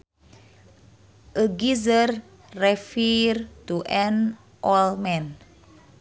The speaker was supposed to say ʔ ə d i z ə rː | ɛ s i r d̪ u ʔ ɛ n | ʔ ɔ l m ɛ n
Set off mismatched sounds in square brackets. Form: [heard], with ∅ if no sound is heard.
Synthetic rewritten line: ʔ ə [ɡ] i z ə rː | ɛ [f] i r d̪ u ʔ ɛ n | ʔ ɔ l m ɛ n